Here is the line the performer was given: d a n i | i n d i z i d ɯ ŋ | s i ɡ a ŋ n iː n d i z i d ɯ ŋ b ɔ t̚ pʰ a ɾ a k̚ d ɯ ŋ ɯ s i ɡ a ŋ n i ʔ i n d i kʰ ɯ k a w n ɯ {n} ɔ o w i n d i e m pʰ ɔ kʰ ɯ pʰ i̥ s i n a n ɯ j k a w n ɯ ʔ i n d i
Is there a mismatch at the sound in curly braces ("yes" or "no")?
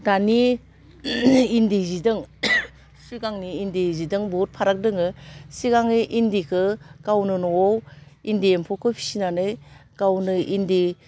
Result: no